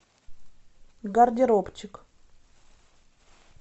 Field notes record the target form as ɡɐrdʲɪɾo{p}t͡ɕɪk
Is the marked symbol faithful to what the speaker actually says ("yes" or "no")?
yes